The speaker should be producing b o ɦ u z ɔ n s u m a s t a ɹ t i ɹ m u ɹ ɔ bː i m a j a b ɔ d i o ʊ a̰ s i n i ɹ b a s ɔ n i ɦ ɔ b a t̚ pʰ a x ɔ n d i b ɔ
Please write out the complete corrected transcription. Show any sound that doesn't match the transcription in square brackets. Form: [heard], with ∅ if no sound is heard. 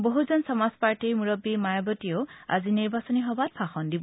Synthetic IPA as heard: b o ɦ u z ɔ n s [ɔ] m a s [p] a ɹ t i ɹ m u ɹ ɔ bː i m a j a b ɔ [t] i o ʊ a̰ [z] i n i ɹ b a s ɔ n i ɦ ɔ b a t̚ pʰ a x ɔ n d i b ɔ